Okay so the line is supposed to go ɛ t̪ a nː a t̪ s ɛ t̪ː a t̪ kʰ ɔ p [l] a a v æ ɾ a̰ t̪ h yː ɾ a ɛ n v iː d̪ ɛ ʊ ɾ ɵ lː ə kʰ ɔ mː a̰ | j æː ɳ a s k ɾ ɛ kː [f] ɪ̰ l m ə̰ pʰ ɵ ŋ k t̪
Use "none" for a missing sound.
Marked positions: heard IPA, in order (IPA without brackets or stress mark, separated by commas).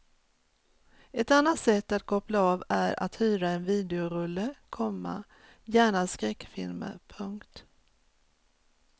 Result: l, f